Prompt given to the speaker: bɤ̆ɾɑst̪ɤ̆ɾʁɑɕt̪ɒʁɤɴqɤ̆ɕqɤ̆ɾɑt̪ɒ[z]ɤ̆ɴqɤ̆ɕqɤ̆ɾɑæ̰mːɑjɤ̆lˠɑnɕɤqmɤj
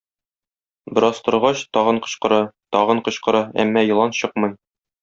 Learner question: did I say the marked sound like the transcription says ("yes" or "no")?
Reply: no